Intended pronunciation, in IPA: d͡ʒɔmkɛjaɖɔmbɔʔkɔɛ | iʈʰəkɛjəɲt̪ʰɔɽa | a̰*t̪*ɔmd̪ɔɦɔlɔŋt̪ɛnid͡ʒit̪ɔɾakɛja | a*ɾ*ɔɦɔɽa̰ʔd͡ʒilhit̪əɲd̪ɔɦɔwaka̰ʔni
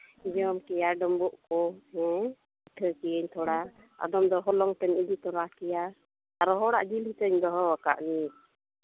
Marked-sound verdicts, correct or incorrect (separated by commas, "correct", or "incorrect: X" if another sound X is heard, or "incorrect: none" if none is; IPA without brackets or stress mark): incorrect: d̪, correct